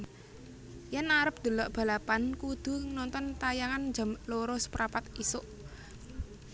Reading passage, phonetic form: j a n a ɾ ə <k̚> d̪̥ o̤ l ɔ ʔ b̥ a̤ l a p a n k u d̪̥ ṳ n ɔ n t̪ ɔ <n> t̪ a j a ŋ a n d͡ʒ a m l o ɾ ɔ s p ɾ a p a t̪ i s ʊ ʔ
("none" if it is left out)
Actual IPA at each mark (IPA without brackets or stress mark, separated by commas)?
p̚, n